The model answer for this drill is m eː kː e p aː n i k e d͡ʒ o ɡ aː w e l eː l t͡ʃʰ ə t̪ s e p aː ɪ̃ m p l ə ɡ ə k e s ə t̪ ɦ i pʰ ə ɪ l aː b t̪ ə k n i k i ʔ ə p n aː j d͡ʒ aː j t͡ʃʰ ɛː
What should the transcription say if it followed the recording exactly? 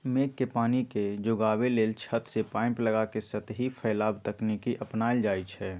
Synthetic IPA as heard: m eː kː e p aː n i k e d͡ʒ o ɡ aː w e l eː l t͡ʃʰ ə t̪ s e p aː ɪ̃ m p l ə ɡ a k e s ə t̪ ɦ i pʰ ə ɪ l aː b t̪ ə k n i k i ʔ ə p n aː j d͡ʒ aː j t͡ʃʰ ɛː